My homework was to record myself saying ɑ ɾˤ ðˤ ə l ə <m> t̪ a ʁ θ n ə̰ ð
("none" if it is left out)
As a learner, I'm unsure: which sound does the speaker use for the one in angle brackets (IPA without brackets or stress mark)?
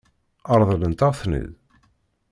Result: n